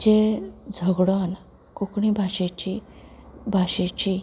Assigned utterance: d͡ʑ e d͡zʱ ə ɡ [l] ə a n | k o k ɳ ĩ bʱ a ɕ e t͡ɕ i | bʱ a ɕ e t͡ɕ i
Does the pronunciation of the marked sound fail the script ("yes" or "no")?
yes